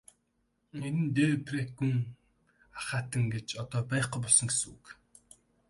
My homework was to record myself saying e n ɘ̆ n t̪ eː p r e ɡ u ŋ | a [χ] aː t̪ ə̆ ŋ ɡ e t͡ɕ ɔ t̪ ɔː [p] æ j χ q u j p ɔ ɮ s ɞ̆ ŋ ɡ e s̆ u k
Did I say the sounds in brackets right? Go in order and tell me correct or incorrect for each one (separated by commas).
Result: correct, correct